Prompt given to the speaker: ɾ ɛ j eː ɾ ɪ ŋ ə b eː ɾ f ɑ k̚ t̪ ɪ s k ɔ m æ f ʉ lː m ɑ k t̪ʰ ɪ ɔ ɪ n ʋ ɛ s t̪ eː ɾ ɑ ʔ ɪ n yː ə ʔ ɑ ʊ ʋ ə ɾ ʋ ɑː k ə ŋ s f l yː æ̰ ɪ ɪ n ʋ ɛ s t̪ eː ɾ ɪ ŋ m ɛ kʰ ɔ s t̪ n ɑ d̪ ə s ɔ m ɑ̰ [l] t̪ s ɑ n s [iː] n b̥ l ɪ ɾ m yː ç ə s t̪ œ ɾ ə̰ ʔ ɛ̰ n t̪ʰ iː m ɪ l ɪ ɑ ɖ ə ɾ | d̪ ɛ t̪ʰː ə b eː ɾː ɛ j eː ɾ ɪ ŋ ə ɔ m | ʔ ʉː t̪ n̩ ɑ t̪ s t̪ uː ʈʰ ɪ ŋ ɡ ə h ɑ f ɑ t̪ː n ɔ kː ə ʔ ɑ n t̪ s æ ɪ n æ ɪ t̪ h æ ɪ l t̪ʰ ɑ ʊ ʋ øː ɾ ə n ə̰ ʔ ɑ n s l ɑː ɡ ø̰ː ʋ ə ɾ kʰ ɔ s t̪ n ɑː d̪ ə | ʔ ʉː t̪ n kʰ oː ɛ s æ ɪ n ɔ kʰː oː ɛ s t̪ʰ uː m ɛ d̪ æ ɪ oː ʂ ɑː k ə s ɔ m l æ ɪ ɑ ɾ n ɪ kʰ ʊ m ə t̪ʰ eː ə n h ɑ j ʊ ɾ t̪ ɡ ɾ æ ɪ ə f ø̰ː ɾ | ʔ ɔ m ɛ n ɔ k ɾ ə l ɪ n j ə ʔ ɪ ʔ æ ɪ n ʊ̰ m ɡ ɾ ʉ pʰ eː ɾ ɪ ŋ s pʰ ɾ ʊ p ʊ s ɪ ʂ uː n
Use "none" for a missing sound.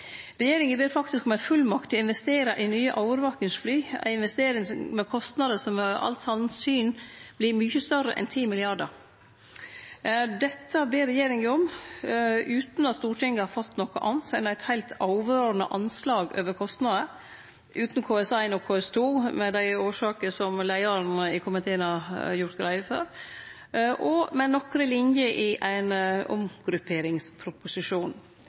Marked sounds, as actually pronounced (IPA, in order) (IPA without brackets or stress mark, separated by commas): l, yː